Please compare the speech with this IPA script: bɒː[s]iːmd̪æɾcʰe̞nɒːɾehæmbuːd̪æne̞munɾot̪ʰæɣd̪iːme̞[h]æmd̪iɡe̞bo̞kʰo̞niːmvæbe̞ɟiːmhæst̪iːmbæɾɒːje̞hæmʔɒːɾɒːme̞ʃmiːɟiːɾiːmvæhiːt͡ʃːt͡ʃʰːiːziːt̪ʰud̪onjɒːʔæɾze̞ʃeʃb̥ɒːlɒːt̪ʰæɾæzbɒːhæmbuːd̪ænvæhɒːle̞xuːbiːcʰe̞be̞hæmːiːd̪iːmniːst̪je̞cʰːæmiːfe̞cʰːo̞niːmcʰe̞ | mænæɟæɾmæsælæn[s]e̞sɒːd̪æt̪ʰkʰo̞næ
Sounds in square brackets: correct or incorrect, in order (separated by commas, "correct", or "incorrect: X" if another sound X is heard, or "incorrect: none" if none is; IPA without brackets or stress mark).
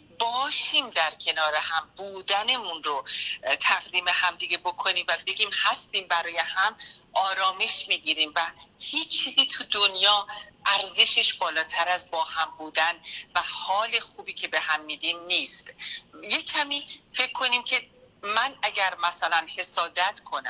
incorrect: ʃ, correct, incorrect: h